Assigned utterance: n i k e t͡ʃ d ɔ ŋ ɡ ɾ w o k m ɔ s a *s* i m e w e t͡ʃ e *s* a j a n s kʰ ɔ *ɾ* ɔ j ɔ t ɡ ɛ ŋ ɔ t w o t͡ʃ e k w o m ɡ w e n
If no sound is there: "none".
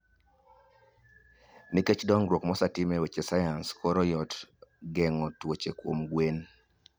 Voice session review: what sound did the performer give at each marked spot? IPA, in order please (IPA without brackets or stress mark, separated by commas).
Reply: t, s, ɾ